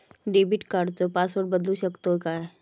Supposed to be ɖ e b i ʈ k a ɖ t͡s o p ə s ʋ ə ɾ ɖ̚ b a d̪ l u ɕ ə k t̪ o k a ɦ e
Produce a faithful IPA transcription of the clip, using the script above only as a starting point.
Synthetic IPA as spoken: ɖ e b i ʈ k a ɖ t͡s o p a s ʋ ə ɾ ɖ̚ b ə d̪ l u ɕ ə k t̪ o k a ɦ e